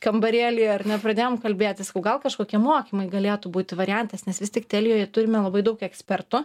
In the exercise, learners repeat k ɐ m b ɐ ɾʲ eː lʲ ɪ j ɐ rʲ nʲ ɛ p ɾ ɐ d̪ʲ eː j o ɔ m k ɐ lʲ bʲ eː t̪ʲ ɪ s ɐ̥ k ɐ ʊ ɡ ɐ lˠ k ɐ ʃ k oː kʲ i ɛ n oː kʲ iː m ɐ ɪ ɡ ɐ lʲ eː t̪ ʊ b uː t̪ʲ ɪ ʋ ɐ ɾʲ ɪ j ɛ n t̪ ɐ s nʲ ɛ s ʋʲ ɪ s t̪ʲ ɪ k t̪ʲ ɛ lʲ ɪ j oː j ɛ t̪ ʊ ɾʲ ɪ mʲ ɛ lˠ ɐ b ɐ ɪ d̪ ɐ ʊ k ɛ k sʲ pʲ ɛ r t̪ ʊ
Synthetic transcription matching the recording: k ɐ m b ɐ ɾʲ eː lʲ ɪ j ɐ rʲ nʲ ɛ p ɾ ɐ d̪ʲ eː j o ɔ m k ɐ lʲ bʲ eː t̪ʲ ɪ s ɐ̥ k ɐ ʊ ɡ ɐ lˠ k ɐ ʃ k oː kʲ i ɛ m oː kʲ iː m ɐ ɪ ɡ ɐ lʲ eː t̪ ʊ b uː t̪ʲ ɪ ʋ ɐ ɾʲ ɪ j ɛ n t̪ ɐ s nʲ ɛ s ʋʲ ɪ s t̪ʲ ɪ k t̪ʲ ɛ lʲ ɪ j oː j ɛ t̪ ʊ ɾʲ ɪ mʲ ɛ lˠ ɐ b ɐ ɪ d̪ ɐ ʊ k ɛ k sʲ pʲ ɛ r t̪ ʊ

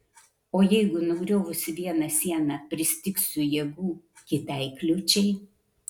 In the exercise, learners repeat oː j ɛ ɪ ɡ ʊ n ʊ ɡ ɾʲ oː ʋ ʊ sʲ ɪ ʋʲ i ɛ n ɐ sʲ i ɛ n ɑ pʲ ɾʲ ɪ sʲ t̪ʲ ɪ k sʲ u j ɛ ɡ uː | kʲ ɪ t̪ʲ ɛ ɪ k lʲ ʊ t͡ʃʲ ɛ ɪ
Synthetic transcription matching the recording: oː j ɛ ɪ ɡ ʊ n ʊ ɡ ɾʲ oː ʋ ʊ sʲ ɪ ʋʲ i ɛ n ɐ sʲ i ɛ n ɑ pʲ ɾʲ ɪ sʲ t̪ʲ ɪ k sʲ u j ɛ ɡ uː | kʲ ɪ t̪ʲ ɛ ɪ k lʲ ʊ t͡ʃʲ ɛ ɪ

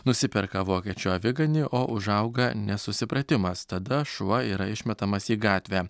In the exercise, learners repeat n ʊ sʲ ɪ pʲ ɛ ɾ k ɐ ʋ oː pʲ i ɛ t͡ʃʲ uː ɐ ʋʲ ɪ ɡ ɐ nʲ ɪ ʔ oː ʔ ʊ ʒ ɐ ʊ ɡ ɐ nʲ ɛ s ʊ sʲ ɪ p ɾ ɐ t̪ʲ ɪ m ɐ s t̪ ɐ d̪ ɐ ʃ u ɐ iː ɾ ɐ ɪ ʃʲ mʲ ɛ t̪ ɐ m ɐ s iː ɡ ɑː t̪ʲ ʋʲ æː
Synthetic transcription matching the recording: n ʊ sʲ ɪ pʲ ɛ ɾ k ɐ ʋ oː kʲ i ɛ t͡ʃʲ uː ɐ ʋʲ ɪ ɡ ɐ nʲ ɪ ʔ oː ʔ ʊ ʒ ɐ ʊ ɡ ɐ nʲ ɛ s ʊ sʲ ɪ p ɾ ɐ t̪ʲ ɪ m ɐ s t̪ ɐ d̪ ɐ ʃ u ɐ iː ɾ ɐ ɪ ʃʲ mʲ ɛ t̪ ɐ m ɐ s iː ɡ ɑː t̪ʲ ʋʲ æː

